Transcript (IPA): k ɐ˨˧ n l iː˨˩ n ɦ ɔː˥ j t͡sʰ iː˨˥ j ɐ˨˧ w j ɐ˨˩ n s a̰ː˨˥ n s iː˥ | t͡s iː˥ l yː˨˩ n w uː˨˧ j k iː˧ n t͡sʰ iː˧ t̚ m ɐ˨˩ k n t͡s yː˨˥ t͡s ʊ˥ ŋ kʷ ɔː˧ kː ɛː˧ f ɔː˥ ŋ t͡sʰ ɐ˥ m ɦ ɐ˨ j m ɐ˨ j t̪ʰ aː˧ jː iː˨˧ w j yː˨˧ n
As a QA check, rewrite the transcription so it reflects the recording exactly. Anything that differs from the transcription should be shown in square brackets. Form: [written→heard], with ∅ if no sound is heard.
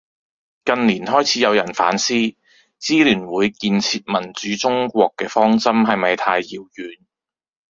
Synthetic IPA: k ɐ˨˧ n l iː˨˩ n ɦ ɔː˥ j t͡sʰ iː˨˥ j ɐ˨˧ w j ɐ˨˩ n [s→f] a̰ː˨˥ n s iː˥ | t͡s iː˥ l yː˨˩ n w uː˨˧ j k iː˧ n t͡sʰ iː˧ t̚ m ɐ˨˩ [k→∅] n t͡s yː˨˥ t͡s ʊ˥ ŋ kʷ ɔː˧ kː ɛː˧ f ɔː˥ ŋ [t͡sʰ→t͡s] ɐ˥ m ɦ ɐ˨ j m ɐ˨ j t̪ʰ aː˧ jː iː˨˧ w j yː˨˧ n